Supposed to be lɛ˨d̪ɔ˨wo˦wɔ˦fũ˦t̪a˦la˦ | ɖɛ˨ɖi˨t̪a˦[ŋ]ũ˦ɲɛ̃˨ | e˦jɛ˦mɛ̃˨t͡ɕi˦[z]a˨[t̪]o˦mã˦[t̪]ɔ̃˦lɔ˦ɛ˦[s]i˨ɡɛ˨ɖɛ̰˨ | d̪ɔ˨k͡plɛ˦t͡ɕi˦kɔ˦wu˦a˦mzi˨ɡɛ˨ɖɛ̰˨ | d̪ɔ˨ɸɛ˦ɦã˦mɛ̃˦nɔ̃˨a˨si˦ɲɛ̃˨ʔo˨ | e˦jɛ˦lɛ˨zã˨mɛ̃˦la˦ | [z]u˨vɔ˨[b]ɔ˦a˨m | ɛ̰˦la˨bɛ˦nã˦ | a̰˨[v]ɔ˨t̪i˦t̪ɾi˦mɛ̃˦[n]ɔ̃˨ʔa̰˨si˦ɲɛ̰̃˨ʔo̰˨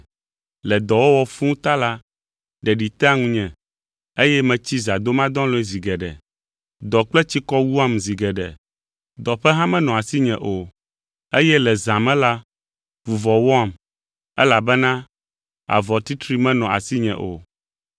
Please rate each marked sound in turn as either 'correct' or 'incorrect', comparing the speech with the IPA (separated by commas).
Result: correct, correct, incorrect, incorrect, incorrect, incorrect, incorrect, correct, correct